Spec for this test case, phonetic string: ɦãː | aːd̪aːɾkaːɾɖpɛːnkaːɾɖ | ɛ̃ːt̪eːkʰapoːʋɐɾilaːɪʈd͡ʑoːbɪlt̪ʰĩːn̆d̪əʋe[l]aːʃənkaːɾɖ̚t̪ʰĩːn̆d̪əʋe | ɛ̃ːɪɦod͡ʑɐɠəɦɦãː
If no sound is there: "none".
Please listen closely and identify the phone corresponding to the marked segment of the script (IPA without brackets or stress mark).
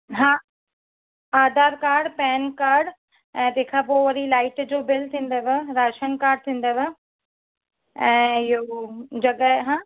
ɾ